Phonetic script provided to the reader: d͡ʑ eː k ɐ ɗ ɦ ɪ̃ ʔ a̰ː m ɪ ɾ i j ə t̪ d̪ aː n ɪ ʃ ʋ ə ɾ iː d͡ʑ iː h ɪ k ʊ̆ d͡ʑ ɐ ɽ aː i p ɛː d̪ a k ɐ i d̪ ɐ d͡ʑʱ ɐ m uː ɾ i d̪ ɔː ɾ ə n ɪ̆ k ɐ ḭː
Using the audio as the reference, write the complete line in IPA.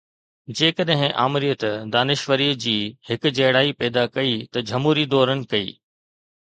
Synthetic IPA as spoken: d͡ʑ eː k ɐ ɗ ɦ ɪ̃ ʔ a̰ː m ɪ ɾ i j ə t̪ d̪ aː n ɪ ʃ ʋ ə ɾ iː d͡ʑ iː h ɪ k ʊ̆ d͡ʑ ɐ ɽ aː i p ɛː d̪ a k ɐ i t̪ ɐ d͡ʑʱ ɐ m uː ɾ i d̪ ɔː ɾ ə n ɪ̆ k ɐ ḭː